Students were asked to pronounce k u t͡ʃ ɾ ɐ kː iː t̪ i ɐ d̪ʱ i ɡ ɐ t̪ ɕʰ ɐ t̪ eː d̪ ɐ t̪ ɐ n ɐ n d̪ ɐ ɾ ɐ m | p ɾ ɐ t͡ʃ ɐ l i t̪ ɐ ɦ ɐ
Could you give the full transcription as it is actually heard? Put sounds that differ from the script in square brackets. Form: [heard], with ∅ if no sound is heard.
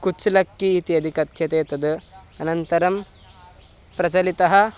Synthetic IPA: k u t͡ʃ [l] ɐ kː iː t̪ i ɐ d̪ʱ i [k] ɐ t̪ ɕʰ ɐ t̪ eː [t̪] ɐ [d̪] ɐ n ɐ n [t̪] ɐ ɾ ɐ m | p ɾ ɐ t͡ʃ ɐ l i t̪ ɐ ɦ ɐ